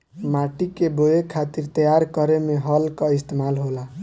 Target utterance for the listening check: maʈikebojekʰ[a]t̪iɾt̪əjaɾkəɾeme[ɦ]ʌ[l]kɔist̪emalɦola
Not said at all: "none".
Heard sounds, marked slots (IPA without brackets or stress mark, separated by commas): a, ɦ, l